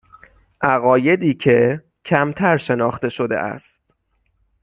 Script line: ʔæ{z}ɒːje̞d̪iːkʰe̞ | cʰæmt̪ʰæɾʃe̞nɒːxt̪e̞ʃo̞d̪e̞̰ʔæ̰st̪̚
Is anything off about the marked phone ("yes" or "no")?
yes